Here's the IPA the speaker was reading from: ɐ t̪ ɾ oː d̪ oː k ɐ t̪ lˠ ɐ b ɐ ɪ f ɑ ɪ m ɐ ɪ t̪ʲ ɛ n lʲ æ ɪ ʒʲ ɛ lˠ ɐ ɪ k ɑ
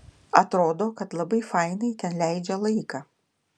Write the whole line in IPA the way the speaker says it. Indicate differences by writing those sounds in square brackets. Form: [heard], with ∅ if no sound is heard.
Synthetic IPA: ɐ t̪ ɾ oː d̪ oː k ɐ t̪ lˠ ɐ b ɐ ɪ f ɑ ɪ [n] ɐ ɪ t̪ʲ ɛ n lʲ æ ɪ [d͡ʒʲ] ɛ lˠ ɐ ɪ k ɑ